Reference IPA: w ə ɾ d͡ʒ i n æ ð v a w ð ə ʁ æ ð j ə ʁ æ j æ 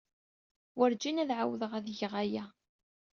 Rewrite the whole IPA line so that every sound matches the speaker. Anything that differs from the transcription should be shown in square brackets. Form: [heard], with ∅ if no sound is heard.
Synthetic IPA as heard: w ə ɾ d͡ʒ i n æ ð [ʕ] a w ð ə ʁ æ ð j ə ʁ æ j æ